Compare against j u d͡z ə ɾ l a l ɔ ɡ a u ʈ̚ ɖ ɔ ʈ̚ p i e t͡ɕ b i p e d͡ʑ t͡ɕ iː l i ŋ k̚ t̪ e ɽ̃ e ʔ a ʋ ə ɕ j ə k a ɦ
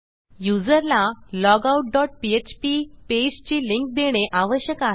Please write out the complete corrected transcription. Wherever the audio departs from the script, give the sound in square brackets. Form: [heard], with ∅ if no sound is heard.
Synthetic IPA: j u d͡z ə ɾ l a l ɔ ɡ a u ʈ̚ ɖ ɔ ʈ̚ p i e t͡ɕ [p] i p e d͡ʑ t͡ɕ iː l i ŋ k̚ [d̪] e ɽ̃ e ʔ a ʋ ə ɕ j ə k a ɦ